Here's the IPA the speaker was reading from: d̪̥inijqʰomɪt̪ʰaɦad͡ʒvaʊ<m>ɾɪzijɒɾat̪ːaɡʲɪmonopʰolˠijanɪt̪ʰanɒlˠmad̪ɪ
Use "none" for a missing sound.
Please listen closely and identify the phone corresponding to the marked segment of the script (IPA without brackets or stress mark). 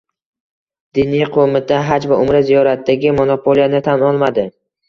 m